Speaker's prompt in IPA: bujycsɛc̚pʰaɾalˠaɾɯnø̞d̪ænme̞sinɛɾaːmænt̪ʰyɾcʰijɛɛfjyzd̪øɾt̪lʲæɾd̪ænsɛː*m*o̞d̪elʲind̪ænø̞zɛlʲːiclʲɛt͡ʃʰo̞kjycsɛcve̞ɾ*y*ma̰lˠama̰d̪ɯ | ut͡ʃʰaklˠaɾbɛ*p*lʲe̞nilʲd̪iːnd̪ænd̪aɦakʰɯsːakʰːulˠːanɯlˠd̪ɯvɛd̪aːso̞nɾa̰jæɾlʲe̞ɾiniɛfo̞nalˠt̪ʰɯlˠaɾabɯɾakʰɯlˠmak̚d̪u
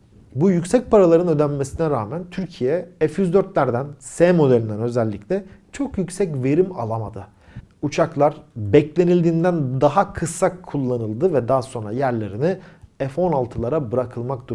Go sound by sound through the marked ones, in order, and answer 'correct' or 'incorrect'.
correct, incorrect: i, incorrect: c

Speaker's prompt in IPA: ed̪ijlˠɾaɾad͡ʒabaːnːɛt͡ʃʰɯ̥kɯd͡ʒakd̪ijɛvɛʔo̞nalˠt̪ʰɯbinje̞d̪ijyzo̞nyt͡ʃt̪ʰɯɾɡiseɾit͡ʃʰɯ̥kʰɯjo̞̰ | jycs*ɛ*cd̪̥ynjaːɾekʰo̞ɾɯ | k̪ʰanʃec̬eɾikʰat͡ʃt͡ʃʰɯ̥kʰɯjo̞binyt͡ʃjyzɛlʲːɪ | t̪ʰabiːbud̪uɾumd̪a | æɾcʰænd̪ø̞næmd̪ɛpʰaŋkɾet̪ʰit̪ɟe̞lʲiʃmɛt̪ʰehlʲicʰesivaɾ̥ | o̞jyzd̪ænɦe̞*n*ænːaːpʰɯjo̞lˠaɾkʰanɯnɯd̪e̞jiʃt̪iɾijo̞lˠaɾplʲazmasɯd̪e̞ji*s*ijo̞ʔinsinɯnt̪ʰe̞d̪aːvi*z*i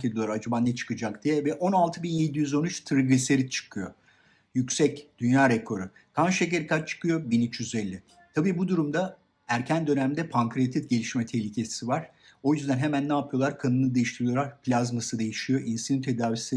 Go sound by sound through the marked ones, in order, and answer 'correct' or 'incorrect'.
correct, incorrect: m, incorrect: ʃ, incorrect: s

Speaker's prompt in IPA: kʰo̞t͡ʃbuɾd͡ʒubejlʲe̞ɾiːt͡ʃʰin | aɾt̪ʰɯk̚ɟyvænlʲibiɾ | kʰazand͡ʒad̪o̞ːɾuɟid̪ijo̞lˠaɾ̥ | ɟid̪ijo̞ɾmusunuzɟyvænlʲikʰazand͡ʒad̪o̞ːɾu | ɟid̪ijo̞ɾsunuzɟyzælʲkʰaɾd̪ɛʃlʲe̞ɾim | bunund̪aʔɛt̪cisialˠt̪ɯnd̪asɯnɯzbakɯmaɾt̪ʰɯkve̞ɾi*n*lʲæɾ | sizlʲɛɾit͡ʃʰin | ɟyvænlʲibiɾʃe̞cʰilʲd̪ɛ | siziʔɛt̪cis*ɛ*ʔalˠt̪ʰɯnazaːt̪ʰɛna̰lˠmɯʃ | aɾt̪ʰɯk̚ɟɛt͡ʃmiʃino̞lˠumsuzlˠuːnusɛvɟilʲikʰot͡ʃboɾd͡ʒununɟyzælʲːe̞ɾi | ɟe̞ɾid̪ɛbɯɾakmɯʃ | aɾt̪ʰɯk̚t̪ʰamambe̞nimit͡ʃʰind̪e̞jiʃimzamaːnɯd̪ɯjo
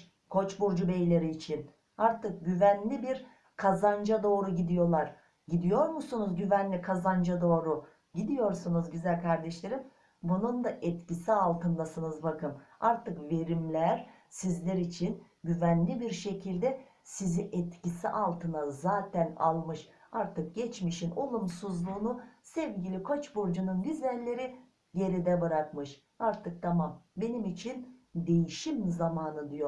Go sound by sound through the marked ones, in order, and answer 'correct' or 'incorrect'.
incorrect: m, incorrect: i

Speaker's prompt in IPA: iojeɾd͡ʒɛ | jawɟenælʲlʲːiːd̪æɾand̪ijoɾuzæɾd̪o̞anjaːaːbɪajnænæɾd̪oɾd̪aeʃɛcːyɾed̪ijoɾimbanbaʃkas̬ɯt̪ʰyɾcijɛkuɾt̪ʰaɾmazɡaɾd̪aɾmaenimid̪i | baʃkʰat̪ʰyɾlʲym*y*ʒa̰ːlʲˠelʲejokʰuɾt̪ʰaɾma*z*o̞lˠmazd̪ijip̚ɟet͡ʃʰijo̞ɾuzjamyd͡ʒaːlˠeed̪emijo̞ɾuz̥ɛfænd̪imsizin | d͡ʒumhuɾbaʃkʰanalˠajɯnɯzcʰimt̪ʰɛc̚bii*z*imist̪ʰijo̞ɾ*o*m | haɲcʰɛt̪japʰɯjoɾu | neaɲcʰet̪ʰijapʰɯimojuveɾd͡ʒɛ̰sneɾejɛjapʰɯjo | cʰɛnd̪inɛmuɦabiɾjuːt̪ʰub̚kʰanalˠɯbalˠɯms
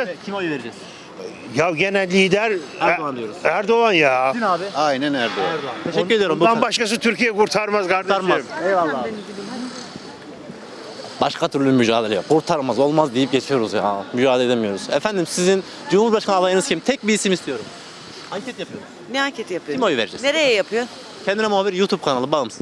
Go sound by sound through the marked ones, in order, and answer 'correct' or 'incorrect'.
correct, correct, incorrect: s, incorrect: u

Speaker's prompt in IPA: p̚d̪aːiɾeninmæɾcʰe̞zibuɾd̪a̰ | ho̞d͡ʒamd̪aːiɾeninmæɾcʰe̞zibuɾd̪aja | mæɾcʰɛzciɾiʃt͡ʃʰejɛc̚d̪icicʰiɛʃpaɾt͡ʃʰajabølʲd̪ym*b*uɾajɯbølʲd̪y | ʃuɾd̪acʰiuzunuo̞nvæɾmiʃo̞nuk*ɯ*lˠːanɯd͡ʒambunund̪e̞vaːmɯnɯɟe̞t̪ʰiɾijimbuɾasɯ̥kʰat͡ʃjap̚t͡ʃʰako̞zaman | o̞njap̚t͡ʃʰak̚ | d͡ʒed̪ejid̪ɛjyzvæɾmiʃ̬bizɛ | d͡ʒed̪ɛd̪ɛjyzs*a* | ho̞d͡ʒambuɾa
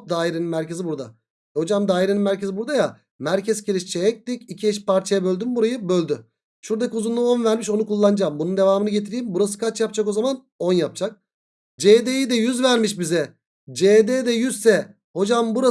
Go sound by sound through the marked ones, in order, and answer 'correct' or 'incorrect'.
correct, incorrect: u, incorrect: ɛ

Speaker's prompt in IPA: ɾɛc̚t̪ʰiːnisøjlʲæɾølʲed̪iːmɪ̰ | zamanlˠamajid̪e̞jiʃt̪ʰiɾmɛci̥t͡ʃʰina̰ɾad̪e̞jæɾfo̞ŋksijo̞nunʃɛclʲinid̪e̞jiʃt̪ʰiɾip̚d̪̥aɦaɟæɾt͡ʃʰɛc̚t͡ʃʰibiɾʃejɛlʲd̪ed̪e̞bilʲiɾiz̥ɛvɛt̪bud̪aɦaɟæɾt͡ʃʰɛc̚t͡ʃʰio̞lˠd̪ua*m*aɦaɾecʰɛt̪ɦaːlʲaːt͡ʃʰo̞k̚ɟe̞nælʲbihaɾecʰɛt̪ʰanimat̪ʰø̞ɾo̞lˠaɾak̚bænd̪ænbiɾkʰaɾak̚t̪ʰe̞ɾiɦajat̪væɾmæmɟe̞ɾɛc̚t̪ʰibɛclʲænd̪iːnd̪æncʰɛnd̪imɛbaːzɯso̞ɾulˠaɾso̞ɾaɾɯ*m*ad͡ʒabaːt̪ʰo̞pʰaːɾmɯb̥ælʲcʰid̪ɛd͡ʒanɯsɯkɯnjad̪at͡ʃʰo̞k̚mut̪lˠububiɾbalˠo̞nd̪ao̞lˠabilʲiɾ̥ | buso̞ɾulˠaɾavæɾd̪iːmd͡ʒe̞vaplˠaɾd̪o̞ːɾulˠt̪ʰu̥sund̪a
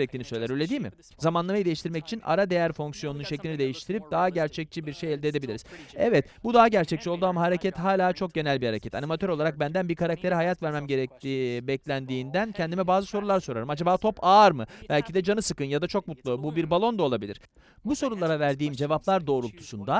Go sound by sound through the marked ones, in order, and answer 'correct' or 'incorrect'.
correct, correct

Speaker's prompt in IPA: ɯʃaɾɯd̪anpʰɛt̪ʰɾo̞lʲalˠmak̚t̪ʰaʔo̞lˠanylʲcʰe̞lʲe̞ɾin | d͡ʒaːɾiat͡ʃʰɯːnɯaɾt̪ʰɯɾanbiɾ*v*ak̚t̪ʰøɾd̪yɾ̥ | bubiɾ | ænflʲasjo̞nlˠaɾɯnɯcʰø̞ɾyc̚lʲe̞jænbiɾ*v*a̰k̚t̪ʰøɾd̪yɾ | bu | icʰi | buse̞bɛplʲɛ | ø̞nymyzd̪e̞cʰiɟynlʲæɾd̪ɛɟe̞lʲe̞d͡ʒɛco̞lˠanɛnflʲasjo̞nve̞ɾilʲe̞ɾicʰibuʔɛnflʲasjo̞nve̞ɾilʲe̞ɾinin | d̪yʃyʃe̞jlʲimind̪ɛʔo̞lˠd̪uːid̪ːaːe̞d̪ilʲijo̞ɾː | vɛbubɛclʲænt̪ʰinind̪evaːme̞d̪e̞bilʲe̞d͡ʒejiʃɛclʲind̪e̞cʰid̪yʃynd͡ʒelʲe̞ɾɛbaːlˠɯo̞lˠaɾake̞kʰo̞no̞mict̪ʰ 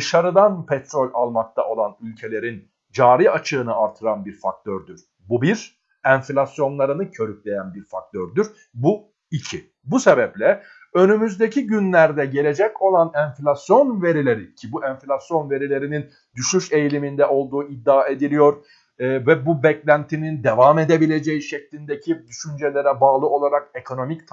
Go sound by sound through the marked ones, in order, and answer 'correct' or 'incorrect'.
incorrect: f, incorrect: f

